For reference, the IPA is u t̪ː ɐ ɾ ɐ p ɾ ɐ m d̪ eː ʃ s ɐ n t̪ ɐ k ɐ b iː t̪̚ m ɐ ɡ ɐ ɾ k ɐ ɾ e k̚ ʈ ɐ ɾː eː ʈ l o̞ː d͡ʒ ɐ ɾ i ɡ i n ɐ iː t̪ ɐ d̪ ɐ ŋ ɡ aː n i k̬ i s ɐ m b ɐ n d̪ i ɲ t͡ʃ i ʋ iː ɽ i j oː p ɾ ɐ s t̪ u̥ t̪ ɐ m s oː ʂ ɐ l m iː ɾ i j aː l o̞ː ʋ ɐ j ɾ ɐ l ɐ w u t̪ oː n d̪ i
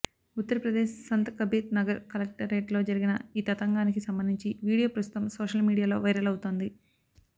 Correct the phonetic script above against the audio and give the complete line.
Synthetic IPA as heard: u t̪ː ɐ ɾ ɐ p ɾ ɐ d̪ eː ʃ s ɐ n t̪ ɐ k ɐ b iː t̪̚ n ɐ ɡ ɐ ɾ k ɐ l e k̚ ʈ ɐ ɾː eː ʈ l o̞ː d͡ʒ ɐ ɾ i ɡ i n ɐ iː t̪ ɐ t̪ ɐ ŋ ɡ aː n i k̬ i s ɐ m b ɐ n d̪ i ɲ t͡ʃ i ʋ iː ɽ i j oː p ɾ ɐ s t̪ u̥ t̪ ɐ m s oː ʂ ɐ l m iː ɽ i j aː l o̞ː ʋ ɐ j ɾ ɐ l ɐ w u t̪ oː n d̪ i